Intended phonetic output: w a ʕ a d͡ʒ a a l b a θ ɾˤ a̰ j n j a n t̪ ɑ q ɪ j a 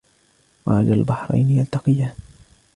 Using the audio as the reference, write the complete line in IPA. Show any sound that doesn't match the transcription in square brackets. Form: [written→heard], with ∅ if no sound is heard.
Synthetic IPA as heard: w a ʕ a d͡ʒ a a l b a [θ→ħ] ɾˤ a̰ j n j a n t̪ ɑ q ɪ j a

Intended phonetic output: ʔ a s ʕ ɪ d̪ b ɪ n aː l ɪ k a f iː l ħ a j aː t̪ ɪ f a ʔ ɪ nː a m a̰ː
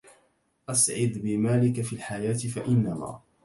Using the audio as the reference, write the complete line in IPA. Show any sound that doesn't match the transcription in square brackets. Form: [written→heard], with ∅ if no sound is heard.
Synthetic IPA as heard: ʔ a s ʕ ɪ d̪ b ɪ [n→m] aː l ɪ k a f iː l ħ a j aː t̪ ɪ f a ʔ ɪ nː a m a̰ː

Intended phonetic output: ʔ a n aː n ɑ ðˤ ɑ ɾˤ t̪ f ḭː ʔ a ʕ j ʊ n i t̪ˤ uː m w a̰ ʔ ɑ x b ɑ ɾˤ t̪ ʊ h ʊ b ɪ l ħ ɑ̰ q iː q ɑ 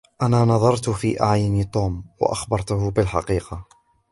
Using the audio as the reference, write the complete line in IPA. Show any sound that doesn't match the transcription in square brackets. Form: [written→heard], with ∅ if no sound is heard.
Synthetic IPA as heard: ʔ a n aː n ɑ ðˤ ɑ ɾˤ t̪ f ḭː ʔ a ʕ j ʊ n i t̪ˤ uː m w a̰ ʔ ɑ x b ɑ ɾˤ t̪ ʊ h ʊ b ɪ l ħ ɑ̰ q iː q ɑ

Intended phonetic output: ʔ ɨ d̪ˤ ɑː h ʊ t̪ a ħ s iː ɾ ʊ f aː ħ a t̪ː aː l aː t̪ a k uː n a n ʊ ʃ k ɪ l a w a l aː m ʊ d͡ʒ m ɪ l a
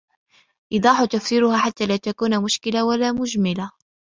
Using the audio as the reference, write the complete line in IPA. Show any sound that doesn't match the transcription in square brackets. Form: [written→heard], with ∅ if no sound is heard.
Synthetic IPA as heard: ʔ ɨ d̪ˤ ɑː [h→ħ] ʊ t̪ a [ħ→f] s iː ɾ ʊ [f→h] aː ħ a t̪ː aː l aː t̪ a k uː n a [n→m] ʊ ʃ k ɪ l a w a l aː m ʊ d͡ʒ m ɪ l a

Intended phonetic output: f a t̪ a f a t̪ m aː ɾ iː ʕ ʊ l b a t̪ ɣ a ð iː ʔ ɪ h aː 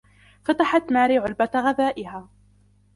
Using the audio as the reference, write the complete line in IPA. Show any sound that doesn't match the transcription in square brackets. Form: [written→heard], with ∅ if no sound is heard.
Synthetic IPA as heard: f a t̪ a [f→ħ] a t̪ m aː ɾ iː ʕ ʊ l b a t̪ ɣ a ð [iː→aː] ʔ ɪ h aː

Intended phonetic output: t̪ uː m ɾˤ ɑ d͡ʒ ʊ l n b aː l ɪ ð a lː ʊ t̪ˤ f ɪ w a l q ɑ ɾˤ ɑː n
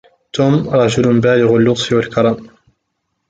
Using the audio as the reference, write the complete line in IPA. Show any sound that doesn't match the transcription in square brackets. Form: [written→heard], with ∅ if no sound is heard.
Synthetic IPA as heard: t̪ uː m ɾˤ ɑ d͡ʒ ʊ l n b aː l ɪ [ð→ɣ] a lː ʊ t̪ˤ f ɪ w a l [q→k] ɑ ɾˤ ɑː [n→m]

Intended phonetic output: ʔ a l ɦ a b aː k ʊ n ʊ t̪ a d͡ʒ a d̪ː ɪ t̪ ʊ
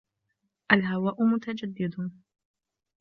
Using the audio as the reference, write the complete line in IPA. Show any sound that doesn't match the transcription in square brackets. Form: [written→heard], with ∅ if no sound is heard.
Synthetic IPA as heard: ʔ a l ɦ a [b→w] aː [k→ʔ] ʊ [n→m] ʊ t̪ a d͡ʒ a d̪ː ɪ [t̪→d̪] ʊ

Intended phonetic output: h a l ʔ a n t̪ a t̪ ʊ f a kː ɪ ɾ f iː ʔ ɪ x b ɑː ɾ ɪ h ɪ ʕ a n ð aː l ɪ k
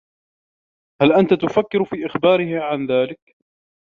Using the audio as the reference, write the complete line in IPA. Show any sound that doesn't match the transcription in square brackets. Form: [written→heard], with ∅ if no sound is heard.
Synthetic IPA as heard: h a l ʔ a n t̪ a t̪ ʊ f a kː ɪ ɾ f iː ʔ ɪ x b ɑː ɾ ɪ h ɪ ʕ a n ð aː l ɪ k

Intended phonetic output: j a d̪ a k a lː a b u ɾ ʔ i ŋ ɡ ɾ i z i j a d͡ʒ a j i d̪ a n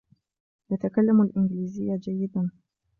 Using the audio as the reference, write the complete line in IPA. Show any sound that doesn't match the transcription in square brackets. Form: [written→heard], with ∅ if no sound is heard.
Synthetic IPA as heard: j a [d̪→t̪] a k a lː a [b→m] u [ɾ→l] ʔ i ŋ ɡ [ɾ→l] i z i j a d͡ʒ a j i d̪ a n

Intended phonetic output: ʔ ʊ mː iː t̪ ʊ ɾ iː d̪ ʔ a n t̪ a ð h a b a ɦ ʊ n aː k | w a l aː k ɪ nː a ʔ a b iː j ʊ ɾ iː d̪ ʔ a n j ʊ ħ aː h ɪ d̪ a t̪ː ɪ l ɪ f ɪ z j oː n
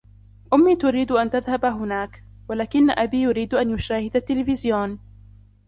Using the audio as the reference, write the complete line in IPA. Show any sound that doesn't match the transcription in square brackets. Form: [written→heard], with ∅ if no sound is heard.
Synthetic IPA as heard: ʔ ʊ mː iː t̪ ʊ ɾ iː d̪ ʔ a n t̪ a ð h a b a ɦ ʊ n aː k | w a l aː k ɪ nː a ʔ a b iː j ʊ ɾ iː d̪ ʔ a n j ʊ [ħ→ʃ] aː h ɪ d̪ a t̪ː ɪ l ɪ f ɪ z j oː n

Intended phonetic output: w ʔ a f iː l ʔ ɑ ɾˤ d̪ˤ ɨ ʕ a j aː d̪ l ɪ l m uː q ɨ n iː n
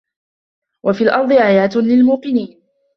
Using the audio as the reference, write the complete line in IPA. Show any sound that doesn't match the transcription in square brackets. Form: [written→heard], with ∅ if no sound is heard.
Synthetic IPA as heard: w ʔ a f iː l ʔ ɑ ɾˤ d̪ˤ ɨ ʕ a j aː [d̪→t̪] l ɪ l m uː q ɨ n iː n

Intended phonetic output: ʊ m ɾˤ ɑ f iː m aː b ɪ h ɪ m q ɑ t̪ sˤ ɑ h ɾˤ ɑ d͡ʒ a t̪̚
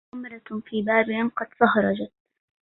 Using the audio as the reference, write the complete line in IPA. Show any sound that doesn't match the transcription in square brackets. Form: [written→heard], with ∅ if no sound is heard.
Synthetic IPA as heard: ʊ m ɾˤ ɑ f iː [m→b] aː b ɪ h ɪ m q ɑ [t̪→d̪] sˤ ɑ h ɾˤ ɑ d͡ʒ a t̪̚

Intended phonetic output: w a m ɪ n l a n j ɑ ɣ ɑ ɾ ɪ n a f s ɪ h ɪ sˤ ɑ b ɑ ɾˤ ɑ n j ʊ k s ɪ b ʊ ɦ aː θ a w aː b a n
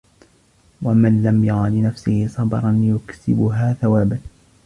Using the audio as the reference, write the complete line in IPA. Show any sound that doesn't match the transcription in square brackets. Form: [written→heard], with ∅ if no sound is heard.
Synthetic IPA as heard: w a m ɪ n l a [n→m] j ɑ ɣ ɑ [ɾ→l] ɪ n a f s ɪ h ɪ sˤ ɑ b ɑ ɾˤ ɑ n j ʊ k s ɪ b ʊ ɦ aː θ a w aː b a n

